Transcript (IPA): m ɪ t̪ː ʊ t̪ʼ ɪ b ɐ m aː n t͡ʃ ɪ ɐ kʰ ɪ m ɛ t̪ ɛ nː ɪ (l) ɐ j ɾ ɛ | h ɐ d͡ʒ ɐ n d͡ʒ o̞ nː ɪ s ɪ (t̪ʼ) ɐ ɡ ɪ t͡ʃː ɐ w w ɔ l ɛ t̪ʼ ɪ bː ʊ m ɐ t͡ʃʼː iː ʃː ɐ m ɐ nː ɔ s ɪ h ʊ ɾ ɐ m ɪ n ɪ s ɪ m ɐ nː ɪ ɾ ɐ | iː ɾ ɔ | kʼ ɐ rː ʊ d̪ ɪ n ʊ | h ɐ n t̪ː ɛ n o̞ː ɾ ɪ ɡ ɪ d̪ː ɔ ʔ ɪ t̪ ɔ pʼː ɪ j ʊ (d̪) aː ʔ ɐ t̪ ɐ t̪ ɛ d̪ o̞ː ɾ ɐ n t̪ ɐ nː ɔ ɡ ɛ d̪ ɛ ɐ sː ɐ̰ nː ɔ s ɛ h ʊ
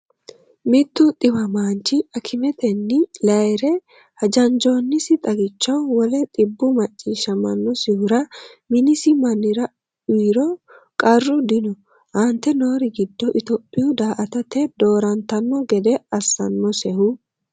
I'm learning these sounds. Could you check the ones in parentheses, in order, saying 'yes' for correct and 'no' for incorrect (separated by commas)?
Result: yes, yes, yes